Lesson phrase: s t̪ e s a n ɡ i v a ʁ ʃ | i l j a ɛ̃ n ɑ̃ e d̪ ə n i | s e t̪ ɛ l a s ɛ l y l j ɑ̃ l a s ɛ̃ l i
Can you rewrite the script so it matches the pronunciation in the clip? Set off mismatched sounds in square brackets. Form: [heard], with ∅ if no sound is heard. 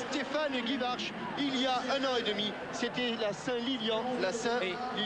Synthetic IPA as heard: s t̪ e [f] a n ɡ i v a ʁ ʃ | i l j a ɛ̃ n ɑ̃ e d̪ ə [m] i | s e t̪ ɛ l a s [ɛ̃] l [i] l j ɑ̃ l a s ɛ̃ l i

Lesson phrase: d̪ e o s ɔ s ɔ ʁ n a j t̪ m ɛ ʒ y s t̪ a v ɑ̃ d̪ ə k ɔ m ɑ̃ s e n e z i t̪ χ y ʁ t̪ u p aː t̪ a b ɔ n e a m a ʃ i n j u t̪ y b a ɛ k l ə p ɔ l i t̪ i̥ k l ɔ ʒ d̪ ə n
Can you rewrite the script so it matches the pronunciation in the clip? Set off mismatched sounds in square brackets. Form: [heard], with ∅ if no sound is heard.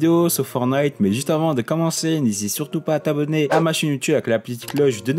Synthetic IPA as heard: d̪ e o s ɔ [f] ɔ ʁ n a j t̪ m ɛ ʒ y s t̪ a v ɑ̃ d̪ ə k ɔ m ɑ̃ s e n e z i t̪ [s] y ʁ t̪ u p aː t̪ a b ɔ n e a m a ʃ i n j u t̪ y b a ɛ k l [a] p ɔ l i t̪ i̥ k l ɔ ʒ d̪ ə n

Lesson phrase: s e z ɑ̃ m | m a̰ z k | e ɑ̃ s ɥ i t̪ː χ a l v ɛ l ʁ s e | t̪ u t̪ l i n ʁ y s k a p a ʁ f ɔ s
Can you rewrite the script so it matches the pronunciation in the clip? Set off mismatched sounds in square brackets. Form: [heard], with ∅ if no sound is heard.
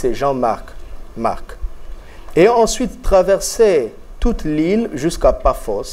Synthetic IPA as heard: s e [ʒ] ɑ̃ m | m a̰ [ʁ] k | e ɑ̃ s ɥ i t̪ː χ a [∅] v ɛ [∅] ʁ s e | t̪ u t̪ l i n [ʒ] y s k a p a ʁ f ɔ s

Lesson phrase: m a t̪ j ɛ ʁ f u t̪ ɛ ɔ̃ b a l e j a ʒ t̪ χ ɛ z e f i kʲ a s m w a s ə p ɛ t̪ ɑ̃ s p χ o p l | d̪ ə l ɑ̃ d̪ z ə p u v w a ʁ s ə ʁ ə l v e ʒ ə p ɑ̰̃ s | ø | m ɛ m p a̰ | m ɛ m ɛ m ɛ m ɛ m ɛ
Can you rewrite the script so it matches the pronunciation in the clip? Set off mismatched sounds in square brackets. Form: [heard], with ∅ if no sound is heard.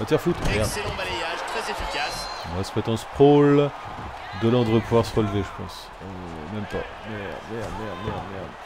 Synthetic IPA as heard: m a t̪ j ɛ ʁ f u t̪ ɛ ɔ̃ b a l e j a ʒ t̪ χ ɛ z e f i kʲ a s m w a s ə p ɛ t̪ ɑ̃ s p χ o [∅] l | d̪ ə l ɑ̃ d̪ [ʁ] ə p u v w a ʁ s ə ʁ ə l v e ʒ ə p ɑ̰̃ s | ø | m ɛ m p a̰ | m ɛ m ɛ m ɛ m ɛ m ɛ

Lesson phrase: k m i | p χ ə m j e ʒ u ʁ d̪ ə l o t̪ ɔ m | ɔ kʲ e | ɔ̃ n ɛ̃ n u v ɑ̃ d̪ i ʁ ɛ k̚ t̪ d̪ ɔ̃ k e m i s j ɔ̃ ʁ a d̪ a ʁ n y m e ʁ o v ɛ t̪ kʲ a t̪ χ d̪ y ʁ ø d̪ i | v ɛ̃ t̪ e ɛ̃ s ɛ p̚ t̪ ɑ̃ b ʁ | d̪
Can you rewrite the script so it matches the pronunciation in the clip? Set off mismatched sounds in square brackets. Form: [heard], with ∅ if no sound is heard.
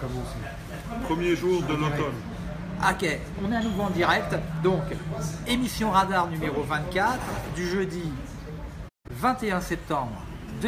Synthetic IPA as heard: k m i | p χ ə m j e ʒ u ʁ d̪ ə l o t̪ ɔ [n] | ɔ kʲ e | ɔ̃ n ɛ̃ n u v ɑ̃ d̪ i ʁ ɛ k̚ t̪ d̪ ɔ̃ k e m i s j ɔ̃ ʁ a d̪ a ʁ n y m e ʁ o v [ɛ̃] t̪ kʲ a t̪ χ d̪ y [ʒ] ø d̪ i | v ɛ̃ t̪ e ɛ̃ s ɛ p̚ t̪ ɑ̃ b ʁ | d̪

